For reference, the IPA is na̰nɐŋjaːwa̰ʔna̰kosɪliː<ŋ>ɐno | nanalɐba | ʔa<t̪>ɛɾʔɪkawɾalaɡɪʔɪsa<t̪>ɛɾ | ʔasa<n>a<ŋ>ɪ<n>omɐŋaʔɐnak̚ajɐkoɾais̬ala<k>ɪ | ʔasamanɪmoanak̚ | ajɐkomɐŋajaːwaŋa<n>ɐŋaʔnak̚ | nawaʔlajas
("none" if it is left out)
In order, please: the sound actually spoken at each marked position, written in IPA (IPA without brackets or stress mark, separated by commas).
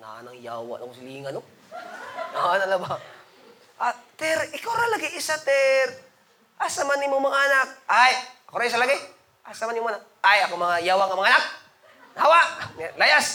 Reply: ŋ, t̪, t̪, m, n, m, ɡ, m